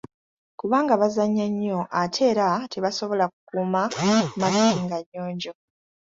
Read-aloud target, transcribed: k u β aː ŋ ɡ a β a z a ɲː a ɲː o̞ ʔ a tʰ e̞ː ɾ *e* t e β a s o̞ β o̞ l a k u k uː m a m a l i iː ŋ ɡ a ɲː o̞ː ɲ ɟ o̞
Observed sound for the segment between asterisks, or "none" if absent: a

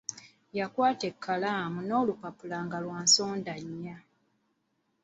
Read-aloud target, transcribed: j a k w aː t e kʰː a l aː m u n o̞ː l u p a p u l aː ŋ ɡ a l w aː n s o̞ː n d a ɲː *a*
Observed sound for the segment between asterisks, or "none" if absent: a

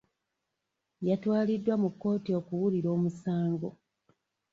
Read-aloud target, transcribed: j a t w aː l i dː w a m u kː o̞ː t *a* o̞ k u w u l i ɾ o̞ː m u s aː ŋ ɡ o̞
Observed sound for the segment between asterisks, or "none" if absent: i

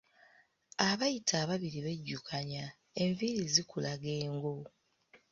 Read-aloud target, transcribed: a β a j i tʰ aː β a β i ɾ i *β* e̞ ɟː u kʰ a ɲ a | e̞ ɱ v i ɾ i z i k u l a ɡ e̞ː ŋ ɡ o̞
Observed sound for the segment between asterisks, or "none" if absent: β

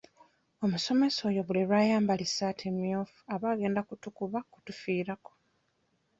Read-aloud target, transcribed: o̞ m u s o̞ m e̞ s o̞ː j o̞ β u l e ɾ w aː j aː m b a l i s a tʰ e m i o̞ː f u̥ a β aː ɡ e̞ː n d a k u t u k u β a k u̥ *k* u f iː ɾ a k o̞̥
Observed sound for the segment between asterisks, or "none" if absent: t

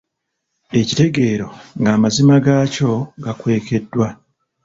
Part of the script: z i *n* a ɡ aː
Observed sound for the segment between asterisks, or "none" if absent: m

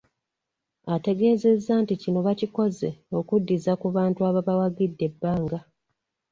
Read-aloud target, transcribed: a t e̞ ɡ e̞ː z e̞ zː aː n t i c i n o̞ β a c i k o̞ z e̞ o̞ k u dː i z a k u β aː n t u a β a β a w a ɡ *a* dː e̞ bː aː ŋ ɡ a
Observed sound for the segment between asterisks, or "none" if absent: i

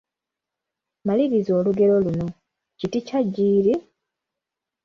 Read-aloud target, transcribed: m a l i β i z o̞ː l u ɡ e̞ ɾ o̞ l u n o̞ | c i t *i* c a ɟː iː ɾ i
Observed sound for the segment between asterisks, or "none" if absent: i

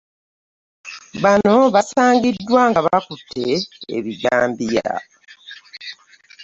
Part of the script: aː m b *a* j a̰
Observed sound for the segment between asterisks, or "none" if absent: i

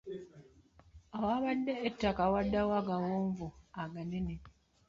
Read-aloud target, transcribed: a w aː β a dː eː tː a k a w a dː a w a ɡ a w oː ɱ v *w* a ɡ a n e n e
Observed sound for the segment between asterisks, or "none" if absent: u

